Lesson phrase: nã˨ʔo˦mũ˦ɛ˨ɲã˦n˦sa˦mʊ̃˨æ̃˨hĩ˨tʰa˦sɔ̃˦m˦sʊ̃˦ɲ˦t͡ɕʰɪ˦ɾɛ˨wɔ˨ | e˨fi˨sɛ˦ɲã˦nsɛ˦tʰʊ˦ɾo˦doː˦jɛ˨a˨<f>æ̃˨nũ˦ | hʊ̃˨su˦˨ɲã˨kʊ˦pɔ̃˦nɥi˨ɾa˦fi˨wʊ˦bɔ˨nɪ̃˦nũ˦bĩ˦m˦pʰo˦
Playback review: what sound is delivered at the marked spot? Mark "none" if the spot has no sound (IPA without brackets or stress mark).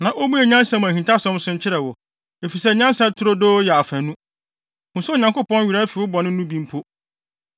f